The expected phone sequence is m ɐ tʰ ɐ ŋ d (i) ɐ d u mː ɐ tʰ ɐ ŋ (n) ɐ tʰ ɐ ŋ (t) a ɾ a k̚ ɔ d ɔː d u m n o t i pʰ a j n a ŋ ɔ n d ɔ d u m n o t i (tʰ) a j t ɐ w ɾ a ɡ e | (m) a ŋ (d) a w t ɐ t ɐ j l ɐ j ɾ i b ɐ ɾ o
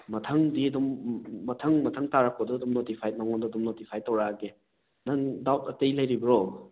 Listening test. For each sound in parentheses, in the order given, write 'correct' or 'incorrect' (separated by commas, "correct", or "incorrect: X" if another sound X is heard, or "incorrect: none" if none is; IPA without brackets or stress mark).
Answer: correct, incorrect: m, correct, incorrect: pʰ, incorrect: n, correct